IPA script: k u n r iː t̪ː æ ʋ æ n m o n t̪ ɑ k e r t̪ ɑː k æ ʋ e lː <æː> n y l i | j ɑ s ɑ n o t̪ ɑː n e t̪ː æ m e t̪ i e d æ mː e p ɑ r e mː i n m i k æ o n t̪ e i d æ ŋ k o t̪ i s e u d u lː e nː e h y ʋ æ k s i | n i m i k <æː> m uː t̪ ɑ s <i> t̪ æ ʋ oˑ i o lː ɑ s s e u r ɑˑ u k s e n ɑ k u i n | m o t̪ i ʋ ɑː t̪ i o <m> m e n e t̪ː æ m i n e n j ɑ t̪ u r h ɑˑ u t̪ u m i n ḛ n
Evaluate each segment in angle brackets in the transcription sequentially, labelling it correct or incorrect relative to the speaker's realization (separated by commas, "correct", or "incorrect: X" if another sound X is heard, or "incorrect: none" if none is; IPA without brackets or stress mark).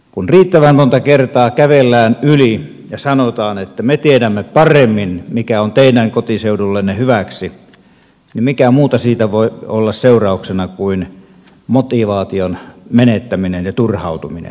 correct, incorrect: æ, incorrect: iː, incorrect: n